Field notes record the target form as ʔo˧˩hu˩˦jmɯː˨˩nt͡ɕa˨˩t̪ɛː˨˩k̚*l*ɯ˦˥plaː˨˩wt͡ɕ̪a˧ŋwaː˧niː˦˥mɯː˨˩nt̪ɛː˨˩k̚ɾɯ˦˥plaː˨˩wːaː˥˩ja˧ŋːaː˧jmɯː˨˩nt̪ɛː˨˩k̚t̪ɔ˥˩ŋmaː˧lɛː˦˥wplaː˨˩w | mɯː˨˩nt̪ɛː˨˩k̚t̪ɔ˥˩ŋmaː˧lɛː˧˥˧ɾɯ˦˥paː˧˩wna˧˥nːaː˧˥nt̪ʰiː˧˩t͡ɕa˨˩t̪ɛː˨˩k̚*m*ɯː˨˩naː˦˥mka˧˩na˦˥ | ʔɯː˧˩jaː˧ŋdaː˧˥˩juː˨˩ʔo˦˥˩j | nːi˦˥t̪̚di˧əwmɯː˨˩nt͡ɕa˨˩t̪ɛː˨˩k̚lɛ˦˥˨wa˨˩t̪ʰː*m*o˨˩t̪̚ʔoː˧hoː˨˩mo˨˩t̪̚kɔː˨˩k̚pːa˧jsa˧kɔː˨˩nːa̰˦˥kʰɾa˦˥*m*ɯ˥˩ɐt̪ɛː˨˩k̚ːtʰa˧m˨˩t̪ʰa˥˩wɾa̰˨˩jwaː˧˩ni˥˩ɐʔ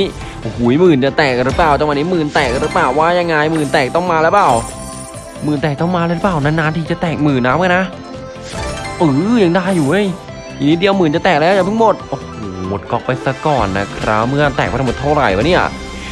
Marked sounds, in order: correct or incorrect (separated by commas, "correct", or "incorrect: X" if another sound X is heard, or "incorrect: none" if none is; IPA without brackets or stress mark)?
incorrect: ɾ, correct, correct, correct